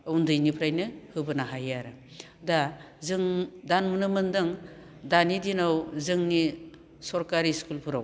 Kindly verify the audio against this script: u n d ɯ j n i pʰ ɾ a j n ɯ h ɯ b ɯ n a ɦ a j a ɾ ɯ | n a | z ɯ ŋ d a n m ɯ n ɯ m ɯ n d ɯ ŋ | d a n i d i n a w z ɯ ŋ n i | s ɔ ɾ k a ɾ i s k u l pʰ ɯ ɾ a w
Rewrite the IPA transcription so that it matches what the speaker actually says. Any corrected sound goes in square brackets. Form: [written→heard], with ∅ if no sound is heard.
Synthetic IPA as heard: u n d ɯ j n i pʰ ɾ a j n ɯ h ɯ b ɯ n a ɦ a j a ɾ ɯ | [n→d] a | z ɯ ŋ d a n m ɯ n ɯ m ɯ n d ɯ ŋ | d a n i d i n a w z ɯ ŋ n i | s ɔ ɾ k a ɾ i s k u l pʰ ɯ ɾ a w